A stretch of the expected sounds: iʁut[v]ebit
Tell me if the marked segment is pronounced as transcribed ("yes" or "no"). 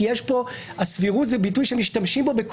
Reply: no